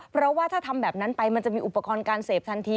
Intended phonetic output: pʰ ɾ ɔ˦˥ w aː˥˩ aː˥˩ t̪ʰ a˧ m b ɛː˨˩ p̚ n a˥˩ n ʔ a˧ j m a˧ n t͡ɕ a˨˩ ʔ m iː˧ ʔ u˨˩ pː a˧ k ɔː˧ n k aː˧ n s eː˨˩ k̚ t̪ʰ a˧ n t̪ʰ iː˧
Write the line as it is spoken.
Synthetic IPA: pʰ ɾ ɔ˦˥ w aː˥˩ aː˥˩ t̪ʰ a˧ m b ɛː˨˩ p̚ n a˦˥ n p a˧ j m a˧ n t͡ɕ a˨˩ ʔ m iː˧ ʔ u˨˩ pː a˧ k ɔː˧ n k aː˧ n s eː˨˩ p̚ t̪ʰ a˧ n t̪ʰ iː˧